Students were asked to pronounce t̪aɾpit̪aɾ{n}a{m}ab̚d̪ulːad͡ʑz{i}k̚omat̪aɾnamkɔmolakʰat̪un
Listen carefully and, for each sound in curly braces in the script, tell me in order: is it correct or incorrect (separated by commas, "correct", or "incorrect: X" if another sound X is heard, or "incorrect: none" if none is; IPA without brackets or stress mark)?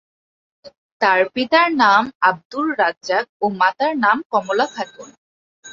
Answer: correct, correct, incorrect: a